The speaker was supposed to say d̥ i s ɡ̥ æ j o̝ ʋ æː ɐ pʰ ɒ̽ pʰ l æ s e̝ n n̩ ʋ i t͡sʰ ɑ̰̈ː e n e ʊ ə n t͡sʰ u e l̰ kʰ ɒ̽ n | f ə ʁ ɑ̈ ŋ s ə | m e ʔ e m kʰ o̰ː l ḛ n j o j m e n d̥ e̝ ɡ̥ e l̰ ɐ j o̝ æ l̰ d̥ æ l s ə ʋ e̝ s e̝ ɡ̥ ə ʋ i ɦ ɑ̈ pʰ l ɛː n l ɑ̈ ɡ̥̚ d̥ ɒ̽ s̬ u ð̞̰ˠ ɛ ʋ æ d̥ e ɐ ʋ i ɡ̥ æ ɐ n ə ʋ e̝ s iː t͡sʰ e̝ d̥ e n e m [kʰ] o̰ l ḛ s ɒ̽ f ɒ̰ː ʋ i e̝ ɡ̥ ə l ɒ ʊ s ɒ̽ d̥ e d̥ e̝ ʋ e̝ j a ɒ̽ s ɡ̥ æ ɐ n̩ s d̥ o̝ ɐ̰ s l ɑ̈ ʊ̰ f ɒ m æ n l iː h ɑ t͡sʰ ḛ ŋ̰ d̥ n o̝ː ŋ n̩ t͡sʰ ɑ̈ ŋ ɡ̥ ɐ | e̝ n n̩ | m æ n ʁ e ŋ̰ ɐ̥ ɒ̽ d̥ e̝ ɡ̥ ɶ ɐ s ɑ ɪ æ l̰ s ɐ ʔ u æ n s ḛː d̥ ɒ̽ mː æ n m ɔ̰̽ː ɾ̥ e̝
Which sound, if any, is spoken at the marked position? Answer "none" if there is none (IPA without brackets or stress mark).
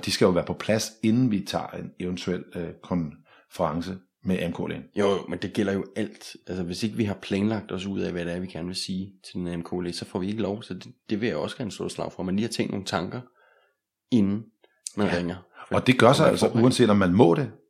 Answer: kʰ